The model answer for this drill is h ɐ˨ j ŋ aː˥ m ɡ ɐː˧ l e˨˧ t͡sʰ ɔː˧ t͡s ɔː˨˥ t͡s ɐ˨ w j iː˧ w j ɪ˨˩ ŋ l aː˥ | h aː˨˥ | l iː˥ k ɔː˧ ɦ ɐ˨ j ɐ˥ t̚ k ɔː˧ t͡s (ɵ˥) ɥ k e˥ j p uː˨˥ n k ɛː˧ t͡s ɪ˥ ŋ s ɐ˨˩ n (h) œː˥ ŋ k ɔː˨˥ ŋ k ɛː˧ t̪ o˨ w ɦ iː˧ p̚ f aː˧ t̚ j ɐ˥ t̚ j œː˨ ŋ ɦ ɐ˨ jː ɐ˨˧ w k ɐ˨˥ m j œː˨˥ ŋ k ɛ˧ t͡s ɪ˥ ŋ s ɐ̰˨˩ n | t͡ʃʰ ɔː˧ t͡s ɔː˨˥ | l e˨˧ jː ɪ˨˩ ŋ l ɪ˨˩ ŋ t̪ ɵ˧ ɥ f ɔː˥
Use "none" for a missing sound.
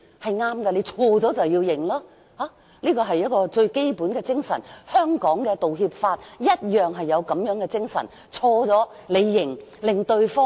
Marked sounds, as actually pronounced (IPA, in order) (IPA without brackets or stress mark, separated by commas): ɵ˧, h